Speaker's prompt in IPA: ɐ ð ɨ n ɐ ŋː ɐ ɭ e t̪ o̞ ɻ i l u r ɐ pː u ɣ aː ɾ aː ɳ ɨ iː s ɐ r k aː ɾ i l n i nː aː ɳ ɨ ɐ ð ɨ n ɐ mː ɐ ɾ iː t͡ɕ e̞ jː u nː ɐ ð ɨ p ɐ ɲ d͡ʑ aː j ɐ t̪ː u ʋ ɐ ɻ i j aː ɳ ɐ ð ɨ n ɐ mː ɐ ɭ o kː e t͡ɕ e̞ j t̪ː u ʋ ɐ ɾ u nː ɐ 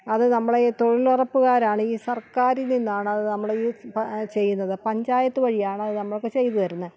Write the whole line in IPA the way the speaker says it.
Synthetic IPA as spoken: ɐ ð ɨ n ɐ mː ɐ ɭ e t̪ o̞ ɻ i l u r ɐ pː u ɣ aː ɾ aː ɳ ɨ iː s ɐ r k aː ɾ i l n i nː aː ɳ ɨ ɐ ð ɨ n ɐ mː ɐ ɭ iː t͡ɕ e̞ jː u nː ɐ ð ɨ p ɐ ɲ d͡ʑ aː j ɐ t̪ː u ʋ ɐ ɻ i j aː ɳ ɐ ð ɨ n ɐ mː ɐ ɭ o kː e t͡ɕ e̞ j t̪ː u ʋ ɐ ɾ u nː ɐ